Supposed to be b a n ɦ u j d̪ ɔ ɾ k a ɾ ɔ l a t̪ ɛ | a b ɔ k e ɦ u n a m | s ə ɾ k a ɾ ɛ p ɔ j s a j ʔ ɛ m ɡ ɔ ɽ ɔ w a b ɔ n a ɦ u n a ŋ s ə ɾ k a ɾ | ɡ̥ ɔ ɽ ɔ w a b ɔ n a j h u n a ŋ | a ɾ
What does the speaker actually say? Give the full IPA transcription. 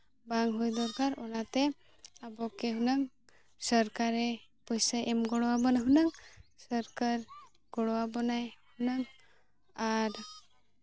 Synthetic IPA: b a ŋ ɦ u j d̪ ɔ ɾ k a ɾ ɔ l a t̪ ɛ | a b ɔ k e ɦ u n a ŋ | s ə ɾ k a ɾ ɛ p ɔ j s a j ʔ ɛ m ɡ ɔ ɽ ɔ w a b ɔ n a ɦ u n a ŋ s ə ɾ k a ɾ | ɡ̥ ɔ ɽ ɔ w a b ɔ n a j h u n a ŋ | a ɾ